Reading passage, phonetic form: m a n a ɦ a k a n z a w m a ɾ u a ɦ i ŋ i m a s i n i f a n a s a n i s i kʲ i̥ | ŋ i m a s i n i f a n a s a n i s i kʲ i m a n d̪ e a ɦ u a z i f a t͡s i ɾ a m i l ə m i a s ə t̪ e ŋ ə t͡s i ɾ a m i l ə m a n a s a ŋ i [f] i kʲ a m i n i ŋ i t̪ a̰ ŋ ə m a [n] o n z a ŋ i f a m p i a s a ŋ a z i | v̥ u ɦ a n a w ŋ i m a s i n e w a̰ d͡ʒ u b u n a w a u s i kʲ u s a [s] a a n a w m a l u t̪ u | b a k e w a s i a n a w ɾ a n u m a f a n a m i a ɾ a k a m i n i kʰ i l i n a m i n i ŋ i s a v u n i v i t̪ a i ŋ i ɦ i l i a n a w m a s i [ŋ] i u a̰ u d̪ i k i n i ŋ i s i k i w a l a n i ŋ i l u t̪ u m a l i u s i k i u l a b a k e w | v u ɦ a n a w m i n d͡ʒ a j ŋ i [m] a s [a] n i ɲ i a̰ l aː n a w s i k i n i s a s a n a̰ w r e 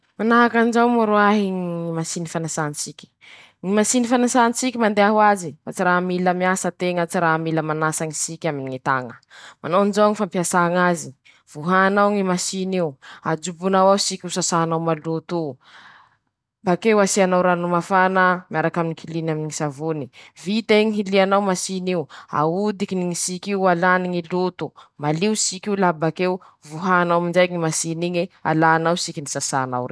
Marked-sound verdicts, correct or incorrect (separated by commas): incorrect, correct, correct, incorrect, correct, incorrect